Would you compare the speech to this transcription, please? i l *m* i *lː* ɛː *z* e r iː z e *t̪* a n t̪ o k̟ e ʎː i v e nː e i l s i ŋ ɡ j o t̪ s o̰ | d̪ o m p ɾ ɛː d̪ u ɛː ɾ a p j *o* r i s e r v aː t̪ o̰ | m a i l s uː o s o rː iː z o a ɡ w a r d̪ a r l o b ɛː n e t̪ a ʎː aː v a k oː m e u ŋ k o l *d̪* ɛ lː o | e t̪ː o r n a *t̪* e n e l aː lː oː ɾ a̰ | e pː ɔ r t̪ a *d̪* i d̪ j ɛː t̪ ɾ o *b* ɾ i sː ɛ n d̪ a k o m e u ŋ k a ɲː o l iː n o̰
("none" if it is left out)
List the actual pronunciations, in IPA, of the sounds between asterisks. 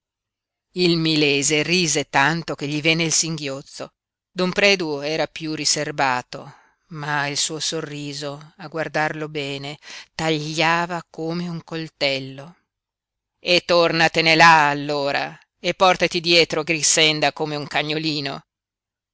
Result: m, l, z, t̪, u, t̪, t̪, t̪, ɡ

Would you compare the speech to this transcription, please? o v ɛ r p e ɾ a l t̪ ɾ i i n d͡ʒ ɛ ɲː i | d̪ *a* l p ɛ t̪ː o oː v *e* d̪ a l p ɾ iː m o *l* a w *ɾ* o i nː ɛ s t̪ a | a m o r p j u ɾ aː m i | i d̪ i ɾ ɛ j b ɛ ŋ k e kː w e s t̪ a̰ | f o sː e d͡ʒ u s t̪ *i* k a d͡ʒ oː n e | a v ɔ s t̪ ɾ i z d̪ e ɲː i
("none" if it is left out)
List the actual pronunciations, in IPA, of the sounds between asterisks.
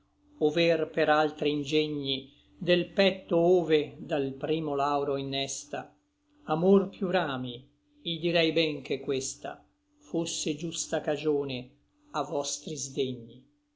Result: e, e, l, ɾ, a

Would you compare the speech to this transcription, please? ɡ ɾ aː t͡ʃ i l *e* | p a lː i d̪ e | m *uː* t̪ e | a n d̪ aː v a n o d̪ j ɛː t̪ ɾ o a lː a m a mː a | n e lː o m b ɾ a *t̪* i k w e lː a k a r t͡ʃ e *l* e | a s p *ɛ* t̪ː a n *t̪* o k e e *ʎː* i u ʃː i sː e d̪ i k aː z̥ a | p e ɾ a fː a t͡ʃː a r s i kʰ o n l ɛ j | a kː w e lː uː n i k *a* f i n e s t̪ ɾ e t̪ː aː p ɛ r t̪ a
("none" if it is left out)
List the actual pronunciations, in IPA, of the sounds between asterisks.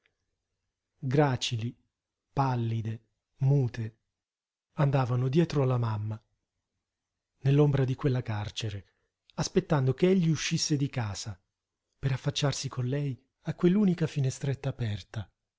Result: i, uː, d̪, ɾ, e, d̪, ʎː, a

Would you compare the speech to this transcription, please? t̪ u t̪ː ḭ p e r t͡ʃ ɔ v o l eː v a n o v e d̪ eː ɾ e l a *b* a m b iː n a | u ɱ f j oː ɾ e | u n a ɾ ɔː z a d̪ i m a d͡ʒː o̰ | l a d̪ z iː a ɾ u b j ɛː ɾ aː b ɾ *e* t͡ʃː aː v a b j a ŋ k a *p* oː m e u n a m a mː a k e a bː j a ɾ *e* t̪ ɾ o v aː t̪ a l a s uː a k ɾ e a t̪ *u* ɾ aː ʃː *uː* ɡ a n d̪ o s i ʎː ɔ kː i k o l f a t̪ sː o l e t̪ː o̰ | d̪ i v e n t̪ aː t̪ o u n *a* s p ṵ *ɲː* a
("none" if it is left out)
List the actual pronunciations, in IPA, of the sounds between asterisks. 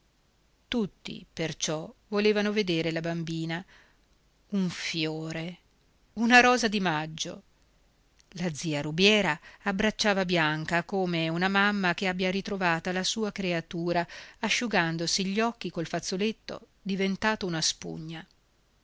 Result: b, a, k, i, uː, u, a, ɲː

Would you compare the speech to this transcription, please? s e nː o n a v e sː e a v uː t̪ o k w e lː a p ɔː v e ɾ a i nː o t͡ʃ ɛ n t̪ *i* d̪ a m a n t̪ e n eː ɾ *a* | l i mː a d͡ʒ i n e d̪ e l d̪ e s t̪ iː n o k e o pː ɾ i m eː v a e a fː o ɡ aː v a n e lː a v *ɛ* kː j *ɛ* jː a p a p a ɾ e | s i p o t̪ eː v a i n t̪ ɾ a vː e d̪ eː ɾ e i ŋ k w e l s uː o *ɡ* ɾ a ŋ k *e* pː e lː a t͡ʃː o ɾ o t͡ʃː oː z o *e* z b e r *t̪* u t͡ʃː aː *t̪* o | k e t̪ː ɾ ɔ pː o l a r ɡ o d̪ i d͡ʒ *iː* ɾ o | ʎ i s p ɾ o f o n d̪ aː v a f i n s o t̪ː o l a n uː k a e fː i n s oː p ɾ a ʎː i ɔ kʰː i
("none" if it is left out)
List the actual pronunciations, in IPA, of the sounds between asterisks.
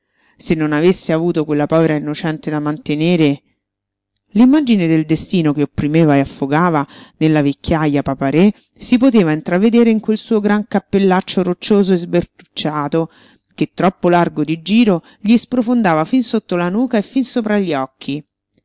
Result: e, e, e, a, ɡ, a, e, t̪, t̪, iː

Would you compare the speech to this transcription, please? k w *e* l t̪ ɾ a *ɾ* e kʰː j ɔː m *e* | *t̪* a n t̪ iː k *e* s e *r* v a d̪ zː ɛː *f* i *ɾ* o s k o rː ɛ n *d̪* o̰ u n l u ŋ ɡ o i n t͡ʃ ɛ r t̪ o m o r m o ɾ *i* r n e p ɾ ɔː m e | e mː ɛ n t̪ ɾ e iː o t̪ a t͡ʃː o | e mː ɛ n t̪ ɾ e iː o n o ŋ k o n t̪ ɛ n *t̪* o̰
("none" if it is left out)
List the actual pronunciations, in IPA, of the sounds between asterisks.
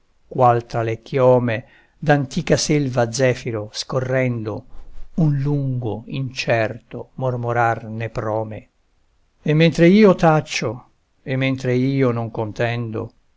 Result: a, l, e, d̪, a, l, f, ɾ, d̪, a, d̪

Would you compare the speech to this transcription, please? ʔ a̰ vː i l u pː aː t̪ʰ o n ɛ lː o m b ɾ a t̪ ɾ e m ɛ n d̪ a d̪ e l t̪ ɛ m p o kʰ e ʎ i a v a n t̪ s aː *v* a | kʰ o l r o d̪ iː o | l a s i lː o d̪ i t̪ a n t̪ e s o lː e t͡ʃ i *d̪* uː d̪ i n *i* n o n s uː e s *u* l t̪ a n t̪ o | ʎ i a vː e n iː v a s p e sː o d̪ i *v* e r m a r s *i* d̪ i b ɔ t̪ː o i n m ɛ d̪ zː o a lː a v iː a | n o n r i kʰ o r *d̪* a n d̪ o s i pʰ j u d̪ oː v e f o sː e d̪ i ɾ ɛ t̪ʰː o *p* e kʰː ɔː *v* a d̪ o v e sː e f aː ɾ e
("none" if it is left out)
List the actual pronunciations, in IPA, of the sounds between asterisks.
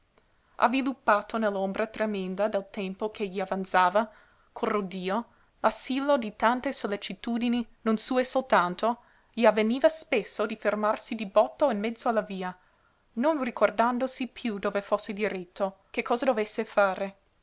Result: v, t̪, i, o, f, i, d̪, k, z

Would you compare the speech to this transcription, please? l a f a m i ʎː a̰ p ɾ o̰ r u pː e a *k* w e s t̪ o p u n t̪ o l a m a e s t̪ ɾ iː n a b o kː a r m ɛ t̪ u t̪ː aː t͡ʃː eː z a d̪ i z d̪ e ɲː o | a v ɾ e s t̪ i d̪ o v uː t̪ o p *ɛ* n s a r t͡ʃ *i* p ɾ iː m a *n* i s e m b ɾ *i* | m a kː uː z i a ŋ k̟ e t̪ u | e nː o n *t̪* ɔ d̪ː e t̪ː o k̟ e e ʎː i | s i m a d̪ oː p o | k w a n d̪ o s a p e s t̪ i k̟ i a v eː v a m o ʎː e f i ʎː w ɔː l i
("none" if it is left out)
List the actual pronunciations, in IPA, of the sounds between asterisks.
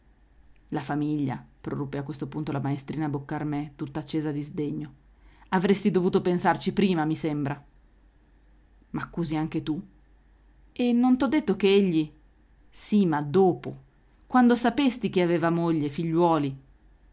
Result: k, e, i, m, a, t̪

